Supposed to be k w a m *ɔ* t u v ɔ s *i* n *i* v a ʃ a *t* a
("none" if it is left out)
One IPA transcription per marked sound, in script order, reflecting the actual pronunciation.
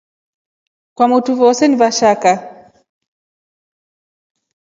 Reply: u, ɛ, i, k

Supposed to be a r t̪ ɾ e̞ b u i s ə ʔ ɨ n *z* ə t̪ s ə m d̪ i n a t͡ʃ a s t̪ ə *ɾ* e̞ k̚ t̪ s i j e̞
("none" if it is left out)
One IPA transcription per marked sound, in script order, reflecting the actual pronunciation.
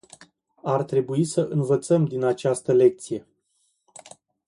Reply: v, l

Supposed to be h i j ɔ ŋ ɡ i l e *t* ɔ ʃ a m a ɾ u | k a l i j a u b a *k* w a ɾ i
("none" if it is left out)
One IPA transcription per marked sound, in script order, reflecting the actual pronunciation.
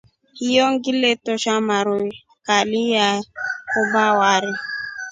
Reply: t, none

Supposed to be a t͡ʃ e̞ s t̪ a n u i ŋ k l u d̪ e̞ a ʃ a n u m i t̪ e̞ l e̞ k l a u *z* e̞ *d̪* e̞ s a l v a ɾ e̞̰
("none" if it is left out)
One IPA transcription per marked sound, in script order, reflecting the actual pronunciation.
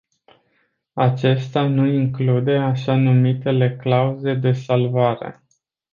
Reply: z, d̪

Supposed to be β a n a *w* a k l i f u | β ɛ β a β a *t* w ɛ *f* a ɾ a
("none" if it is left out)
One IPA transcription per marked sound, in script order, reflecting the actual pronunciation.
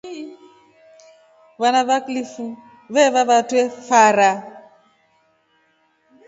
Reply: β, t, f

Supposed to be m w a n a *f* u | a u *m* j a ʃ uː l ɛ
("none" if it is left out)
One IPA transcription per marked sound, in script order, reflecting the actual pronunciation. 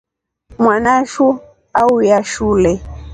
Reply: ʃ, none

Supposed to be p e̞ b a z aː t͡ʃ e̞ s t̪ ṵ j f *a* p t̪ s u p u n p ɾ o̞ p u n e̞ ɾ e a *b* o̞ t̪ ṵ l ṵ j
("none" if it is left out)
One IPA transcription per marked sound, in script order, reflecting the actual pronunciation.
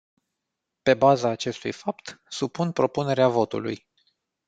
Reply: a, v

